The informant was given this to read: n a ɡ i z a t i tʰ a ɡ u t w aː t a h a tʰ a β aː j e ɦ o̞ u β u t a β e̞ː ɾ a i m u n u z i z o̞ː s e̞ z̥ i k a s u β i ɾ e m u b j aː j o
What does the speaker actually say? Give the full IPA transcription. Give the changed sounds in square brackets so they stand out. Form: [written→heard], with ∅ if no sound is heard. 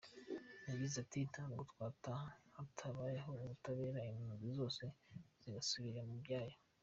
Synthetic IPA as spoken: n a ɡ i z a t i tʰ a ɡ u t w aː t a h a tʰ a β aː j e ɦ o̞ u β u t a β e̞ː ɾ a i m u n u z i z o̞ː s e̞ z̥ i [k→ɡ] a s u β i ɾ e m u b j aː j o